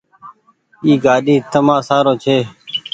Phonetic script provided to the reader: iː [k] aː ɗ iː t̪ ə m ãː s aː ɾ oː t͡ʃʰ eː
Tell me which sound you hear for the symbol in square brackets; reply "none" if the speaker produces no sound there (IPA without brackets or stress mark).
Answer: ɡ